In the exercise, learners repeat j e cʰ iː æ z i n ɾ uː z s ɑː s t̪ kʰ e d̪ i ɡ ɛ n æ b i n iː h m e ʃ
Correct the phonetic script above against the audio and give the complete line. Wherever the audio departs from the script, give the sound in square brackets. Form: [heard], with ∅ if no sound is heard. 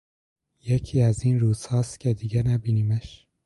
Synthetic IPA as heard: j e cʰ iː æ z i n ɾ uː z [h] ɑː s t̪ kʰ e d̪ i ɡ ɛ n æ b i n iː [∅] m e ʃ